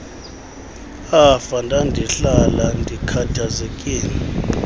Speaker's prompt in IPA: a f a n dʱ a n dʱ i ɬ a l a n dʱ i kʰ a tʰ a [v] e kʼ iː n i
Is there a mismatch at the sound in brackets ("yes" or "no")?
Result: yes